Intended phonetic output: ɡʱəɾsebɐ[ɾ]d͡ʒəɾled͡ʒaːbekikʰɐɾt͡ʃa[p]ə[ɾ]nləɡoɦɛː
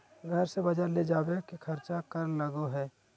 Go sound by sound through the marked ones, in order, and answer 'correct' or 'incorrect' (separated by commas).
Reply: incorrect, incorrect, correct